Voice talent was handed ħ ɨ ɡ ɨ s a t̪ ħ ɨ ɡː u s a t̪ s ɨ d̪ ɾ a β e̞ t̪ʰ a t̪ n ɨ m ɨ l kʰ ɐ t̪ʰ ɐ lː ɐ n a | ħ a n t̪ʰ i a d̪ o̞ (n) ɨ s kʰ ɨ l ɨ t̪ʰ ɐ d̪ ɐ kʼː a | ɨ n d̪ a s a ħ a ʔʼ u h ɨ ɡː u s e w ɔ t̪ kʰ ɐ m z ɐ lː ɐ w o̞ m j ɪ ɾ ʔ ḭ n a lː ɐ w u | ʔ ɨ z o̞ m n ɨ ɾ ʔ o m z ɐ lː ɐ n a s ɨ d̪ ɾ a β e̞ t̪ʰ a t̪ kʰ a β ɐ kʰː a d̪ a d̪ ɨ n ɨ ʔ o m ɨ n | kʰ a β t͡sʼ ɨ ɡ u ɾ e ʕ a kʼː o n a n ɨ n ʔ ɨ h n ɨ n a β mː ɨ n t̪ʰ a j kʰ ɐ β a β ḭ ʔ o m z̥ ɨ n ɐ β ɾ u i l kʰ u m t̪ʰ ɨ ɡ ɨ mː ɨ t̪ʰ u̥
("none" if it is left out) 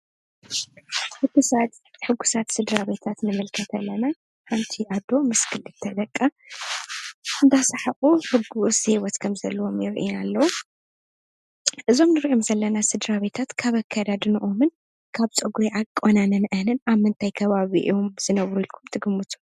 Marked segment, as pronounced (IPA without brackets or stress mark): m